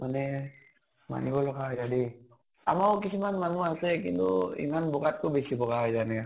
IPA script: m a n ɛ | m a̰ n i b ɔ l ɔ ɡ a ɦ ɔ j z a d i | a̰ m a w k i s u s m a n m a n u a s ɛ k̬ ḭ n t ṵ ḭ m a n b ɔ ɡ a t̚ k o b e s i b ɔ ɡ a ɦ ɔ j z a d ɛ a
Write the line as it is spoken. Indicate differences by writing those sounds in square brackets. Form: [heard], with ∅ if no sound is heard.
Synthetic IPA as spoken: m a n ɛ | m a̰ n i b ɔ l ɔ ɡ a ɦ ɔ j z a d i | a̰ m a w k i s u [∅] m a n m a n u a s ɛ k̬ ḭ n t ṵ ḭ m a n b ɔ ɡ a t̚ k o b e s i b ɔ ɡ a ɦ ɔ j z a [n] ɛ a

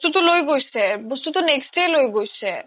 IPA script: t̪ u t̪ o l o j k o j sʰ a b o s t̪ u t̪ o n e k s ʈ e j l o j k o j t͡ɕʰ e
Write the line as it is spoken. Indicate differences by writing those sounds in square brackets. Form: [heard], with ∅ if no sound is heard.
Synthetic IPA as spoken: t̪ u t̪ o l o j [ɡ] o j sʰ [e] b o s t̪ u t̪ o n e k s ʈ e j l o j [ɡ] o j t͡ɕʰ e

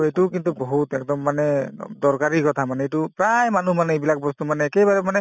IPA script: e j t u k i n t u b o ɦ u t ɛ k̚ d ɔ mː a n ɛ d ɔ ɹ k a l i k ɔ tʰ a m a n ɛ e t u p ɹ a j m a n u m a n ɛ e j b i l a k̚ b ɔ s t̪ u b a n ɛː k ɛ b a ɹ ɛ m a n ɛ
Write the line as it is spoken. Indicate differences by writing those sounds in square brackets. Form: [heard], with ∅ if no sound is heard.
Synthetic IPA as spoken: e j t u k i n t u b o ɦ u t ɛ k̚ d ɔ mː a n ɛ d ɔ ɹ k a [ɹ] i k ɔ tʰ a m a n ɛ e t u p ɹ a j m a n u m a n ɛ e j b i l a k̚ b ɔ s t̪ u [m] a n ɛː k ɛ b a ɹ ɛ m a n ɛ

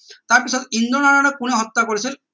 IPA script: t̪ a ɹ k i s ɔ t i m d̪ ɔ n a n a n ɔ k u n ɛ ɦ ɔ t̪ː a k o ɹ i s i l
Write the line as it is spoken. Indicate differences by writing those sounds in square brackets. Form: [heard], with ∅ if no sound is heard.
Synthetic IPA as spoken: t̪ a ɹ [p] i s ɔ t i [n] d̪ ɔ n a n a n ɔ k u n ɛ ɦ ɔ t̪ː a k o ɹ i s i l

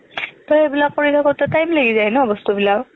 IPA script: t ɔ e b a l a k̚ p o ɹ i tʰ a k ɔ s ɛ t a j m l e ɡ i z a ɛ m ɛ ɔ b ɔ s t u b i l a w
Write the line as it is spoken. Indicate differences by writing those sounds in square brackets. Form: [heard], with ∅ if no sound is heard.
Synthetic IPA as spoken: t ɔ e b [i] l a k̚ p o ɹ i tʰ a k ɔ [t] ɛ t a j m l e ɡ i z a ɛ [n] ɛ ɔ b ɔ s t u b i l a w

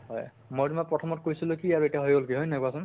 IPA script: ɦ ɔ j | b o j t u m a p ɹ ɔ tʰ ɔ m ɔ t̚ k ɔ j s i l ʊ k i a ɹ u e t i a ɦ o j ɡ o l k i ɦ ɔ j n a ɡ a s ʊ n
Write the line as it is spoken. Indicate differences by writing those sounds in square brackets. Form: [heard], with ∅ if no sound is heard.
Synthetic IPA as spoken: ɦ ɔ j | [m] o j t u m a p ɹ ɔ tʰ ɔ m ɔ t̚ k [o] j s i l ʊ k i a ɹ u e t i a ɦ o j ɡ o l k i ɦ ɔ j n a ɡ a s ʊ n

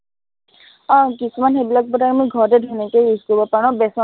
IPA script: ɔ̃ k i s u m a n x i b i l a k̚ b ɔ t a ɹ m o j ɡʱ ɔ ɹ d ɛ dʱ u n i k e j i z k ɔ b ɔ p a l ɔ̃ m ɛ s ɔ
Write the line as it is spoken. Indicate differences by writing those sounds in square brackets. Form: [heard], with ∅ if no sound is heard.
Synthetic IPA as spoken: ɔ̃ k i s u m a n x [e] b i l a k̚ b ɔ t a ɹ m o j ɡʱ ɔ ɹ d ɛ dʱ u n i k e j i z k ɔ b ɔ p a [ɹ] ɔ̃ [b] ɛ s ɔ

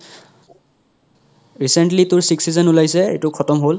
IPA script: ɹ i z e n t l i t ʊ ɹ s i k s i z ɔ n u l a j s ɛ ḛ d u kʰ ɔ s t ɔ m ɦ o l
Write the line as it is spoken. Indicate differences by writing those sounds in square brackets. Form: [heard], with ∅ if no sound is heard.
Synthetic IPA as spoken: ɹ i [s] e n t l i t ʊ ɹ s i k s i z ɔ n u l a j s ɛ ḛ [t] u kʰ ɔ [∅] t ɔ m ɦ o l

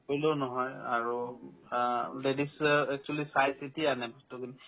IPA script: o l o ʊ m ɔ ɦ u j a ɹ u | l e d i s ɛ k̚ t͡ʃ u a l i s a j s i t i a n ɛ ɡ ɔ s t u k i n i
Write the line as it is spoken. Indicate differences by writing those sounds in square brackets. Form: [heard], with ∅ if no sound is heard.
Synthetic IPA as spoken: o l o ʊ [n] ɔ ɦ [ɔ] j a ɹ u | l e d i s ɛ k̚ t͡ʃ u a l i s a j s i t i a n ɛ [b] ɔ s t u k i n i

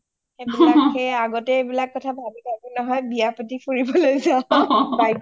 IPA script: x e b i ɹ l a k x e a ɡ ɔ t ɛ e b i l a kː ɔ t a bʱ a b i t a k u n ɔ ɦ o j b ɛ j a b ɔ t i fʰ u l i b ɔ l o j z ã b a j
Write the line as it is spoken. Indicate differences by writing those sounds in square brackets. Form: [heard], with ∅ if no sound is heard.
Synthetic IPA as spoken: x e b i [∅] l a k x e a ɡ ɔ t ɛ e b i l a kː ɔ [tʰ] a bʱ a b i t a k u n ɔ ɦ [ɔ] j b [i] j a [p] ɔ t i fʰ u [ɹ] i b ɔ l o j z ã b a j

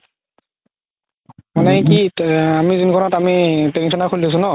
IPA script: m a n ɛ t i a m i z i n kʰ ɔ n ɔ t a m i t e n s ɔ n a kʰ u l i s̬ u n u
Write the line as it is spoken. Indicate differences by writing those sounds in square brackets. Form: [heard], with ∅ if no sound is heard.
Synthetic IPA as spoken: m a n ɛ [k] i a m i z i n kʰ ɔ n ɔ t a m i t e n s ɔ n a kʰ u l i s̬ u n [ɔ]

